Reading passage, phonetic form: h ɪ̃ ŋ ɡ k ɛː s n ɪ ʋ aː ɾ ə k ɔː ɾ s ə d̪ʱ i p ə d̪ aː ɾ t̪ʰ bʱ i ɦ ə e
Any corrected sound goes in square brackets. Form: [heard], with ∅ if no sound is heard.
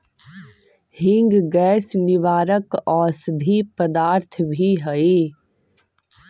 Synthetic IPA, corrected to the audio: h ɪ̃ ŋ ɡ [ɡ] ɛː s n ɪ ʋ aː ɾ ə k ɔː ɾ s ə d̪ʱ i p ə d̪ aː ɾ t̪ʰ bʱ i ɦ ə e